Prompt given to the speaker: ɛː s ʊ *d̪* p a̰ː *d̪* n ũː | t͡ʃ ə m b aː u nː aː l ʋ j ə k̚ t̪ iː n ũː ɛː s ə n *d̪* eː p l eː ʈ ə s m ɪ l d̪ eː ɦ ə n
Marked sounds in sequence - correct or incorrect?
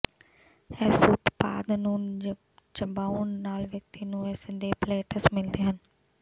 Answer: incorrect, correct, correct

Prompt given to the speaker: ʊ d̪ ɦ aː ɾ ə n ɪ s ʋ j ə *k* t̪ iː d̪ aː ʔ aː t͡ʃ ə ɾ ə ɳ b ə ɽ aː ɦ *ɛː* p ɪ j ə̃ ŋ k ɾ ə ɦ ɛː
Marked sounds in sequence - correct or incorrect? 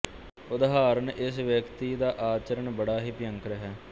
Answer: correct, incorrect

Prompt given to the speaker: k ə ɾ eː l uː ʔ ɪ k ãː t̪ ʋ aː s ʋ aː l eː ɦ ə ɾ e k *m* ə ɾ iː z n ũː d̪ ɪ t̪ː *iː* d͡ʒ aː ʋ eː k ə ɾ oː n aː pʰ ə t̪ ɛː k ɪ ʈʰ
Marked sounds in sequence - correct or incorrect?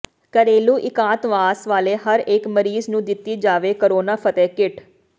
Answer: correct, correct

